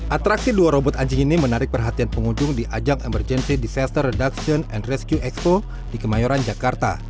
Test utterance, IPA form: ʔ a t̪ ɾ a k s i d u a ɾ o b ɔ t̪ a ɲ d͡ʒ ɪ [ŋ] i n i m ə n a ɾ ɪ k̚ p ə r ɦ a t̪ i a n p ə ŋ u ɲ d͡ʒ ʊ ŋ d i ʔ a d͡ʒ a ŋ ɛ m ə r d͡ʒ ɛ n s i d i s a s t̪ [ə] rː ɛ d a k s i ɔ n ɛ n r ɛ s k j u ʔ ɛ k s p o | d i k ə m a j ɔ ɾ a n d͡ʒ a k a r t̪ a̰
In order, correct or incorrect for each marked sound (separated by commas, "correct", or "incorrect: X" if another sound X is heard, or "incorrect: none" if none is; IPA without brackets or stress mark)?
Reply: correct, correct